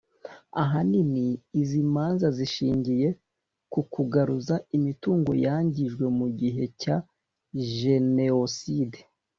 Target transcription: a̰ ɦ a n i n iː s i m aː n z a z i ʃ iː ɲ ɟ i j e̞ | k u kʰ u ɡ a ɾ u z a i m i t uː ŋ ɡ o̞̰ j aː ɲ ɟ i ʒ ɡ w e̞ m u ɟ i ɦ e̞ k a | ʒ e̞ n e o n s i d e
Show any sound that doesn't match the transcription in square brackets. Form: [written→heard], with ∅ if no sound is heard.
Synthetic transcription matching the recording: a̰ ɦ a n i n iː [s→z] i m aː n z a z i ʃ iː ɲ ɟ i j e̞ | k u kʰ u ɡ a ɾ u z a i m i t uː ŋ ɡ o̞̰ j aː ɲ ɟ i ʒ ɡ w e̞ m u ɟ i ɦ e̞ [k→c] a | ʒ e̞ n e o [n→∅] s i d e